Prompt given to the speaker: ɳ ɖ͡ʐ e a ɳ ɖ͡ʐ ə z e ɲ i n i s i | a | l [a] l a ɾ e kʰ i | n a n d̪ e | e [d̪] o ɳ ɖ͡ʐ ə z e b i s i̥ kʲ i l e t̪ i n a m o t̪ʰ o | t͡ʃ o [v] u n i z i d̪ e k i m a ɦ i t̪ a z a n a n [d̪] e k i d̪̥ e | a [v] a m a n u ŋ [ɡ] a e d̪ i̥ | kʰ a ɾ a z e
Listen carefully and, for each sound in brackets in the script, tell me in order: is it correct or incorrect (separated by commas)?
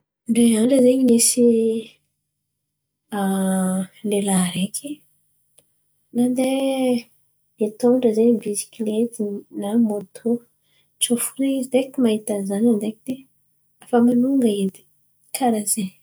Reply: incorrect, incorrect, incorrect, correct, incorrect, correct